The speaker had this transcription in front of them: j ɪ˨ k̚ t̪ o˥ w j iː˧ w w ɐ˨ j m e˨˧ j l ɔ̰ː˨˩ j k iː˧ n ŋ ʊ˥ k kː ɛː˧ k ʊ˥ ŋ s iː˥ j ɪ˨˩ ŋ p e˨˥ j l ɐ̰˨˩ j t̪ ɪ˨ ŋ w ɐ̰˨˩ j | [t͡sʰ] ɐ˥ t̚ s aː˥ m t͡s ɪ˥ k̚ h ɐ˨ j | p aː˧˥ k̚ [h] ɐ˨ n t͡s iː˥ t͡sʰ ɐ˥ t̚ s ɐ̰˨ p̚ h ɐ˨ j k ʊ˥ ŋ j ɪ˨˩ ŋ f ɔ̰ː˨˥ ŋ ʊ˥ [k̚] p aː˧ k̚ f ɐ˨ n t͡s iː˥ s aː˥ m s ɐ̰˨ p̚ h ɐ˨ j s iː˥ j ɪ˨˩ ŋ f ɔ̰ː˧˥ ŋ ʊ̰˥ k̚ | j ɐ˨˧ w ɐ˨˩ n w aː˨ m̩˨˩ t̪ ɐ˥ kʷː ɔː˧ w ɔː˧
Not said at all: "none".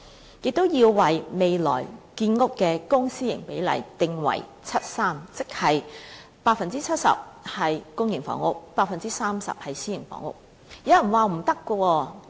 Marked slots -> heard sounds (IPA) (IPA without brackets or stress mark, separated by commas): t͡sʰ, f, k̚